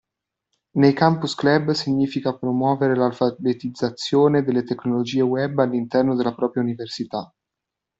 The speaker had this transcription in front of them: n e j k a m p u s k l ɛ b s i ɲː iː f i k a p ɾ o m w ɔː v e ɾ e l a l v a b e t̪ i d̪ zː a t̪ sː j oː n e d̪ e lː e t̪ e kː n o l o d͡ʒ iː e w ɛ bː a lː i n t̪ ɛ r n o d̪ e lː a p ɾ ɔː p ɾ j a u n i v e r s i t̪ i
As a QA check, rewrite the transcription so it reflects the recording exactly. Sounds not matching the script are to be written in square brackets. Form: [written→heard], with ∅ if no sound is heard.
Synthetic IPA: n e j k a m p u s k l ɛ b s i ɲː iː f i k a p ɾ o m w ɔː v e ɾ e l a l [v→f] a b e t̪ i d̪ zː a t̪ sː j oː n e d̪ e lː e t̪ e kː n o l o d͡ʒ iː e w ɛ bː a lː i n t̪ ɛ r n o d̪ e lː a p ɾ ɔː p ɾ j a u n i v e r s i t̪ [i→a]